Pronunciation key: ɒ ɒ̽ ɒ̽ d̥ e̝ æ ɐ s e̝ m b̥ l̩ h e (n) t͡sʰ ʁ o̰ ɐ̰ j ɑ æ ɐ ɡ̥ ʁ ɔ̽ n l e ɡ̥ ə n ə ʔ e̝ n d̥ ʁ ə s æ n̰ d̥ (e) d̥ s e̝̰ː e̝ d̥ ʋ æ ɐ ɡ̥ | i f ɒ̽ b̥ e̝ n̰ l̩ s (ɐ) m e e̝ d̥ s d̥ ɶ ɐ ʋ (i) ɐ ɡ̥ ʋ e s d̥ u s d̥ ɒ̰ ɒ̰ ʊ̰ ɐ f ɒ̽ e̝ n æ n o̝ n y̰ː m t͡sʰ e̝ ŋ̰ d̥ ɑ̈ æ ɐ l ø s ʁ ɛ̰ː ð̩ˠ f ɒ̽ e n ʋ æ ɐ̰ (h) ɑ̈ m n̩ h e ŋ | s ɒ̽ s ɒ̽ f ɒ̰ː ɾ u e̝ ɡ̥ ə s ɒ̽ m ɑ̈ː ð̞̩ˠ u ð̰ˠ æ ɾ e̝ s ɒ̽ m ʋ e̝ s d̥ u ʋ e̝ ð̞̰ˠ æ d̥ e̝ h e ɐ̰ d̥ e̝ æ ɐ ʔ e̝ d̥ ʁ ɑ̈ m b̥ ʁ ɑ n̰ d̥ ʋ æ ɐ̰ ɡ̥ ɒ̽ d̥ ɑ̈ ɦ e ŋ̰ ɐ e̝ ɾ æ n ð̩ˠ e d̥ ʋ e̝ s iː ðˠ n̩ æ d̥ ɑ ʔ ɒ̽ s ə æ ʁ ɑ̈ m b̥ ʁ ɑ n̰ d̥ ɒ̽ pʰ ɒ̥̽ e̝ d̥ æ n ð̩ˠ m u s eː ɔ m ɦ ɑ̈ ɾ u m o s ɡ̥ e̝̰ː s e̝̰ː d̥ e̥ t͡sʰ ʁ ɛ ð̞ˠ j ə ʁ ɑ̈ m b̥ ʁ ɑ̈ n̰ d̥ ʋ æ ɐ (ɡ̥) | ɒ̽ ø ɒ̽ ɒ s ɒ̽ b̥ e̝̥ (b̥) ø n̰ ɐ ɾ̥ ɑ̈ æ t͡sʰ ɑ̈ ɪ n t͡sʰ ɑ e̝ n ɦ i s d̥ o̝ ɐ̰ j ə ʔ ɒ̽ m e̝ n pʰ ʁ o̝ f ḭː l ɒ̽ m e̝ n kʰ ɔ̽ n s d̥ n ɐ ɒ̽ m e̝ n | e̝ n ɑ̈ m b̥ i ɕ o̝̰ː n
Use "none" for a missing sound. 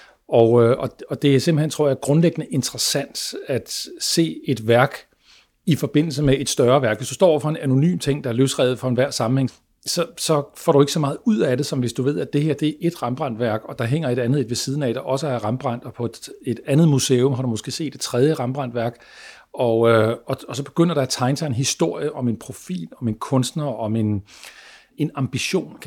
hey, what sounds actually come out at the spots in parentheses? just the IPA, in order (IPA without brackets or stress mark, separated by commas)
n, æ, ə, æ, s, ɡ̥, ɡ̥